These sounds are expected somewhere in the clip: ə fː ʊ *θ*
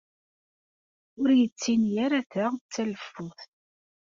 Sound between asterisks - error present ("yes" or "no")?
no